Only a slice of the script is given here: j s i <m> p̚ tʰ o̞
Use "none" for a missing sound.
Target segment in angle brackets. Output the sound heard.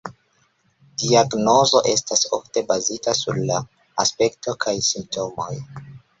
m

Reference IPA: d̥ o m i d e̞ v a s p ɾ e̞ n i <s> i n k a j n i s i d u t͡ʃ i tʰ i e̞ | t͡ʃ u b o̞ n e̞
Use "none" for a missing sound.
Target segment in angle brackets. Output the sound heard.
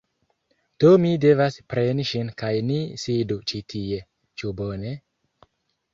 ʃ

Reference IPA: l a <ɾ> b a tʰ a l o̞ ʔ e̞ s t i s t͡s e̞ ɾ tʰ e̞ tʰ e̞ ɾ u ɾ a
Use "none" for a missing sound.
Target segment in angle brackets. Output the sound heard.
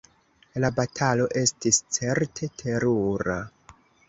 none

